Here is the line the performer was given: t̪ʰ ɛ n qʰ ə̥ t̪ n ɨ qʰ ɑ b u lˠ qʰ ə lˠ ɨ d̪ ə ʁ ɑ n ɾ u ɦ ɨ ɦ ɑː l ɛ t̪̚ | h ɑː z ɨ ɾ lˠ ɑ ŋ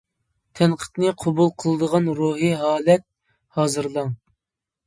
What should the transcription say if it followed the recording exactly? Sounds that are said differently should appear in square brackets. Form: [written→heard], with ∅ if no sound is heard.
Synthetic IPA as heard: t̪ʰ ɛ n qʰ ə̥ t̪ n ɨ qʰ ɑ b u lˠ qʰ ə lˠ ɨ d̪ ə ʁ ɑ n ɾ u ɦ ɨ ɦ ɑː l ɛ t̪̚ | h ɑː z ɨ ɾ lˠ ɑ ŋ